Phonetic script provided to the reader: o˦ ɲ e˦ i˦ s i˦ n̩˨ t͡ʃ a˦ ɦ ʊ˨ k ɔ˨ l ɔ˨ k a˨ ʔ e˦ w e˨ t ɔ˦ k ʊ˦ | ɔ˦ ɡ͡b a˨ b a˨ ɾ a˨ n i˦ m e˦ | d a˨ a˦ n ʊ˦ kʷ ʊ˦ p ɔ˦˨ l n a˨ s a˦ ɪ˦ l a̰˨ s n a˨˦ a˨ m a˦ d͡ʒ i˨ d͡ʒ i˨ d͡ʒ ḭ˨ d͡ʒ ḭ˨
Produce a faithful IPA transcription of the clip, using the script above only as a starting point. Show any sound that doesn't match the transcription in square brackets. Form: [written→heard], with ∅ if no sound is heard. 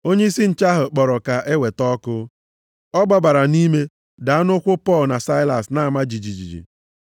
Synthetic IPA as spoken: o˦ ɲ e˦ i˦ s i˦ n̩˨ t͡ʃ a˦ ɦ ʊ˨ [k→k͡p] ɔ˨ [l→ɾ] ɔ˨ k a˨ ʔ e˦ w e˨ t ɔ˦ k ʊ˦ | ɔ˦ ɡ͡b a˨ b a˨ ɾ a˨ n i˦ m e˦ | d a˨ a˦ n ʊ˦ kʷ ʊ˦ p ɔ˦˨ l n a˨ s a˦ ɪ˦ l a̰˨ s n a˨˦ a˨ m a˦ d͡ʒ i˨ d͡ʒ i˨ d͡ʒ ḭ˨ d͡ʒ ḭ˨